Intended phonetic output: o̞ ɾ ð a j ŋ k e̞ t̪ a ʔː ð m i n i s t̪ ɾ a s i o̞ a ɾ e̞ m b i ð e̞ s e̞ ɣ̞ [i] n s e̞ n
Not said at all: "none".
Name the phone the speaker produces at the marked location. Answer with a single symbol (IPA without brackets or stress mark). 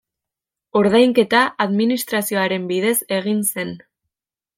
i